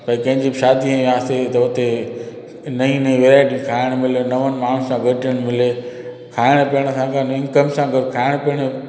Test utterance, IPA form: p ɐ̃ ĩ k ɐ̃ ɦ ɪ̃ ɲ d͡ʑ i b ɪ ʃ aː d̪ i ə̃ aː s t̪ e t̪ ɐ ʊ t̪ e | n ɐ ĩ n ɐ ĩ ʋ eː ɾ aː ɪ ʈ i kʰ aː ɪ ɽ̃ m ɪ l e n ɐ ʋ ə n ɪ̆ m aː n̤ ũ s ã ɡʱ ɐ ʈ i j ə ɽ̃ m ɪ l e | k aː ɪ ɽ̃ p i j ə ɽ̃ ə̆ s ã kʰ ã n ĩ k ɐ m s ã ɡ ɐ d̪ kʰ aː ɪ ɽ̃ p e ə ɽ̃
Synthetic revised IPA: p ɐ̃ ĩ k ɐ̃ ɦ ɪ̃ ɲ d͡ʑ i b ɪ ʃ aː d̪ i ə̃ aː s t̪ e t̪ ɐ ʊ t̪ e | n ɐ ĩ n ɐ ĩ ʋ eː ɾ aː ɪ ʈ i kʰ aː ɪ ɽ̃ m ɪ l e n ɐ ʋ ə n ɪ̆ m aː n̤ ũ s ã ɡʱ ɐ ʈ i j ə ɽ̃ m ɪ l e | kʰ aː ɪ ɽ̃ p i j ə ɽ̃ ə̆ s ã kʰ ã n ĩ k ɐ m s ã ɡ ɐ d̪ kʰ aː ɪ ɽ̃ p i ə ɽ̃